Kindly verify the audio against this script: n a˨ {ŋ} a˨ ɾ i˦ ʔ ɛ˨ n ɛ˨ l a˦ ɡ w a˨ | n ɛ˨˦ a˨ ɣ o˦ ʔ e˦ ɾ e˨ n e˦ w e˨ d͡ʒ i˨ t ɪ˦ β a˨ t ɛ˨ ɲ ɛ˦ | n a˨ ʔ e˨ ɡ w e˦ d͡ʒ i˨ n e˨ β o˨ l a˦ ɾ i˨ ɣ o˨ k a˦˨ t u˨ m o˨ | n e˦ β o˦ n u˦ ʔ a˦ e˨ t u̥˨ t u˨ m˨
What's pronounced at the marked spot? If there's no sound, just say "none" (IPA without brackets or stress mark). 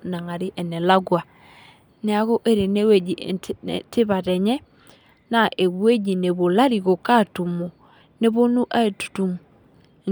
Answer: ŋ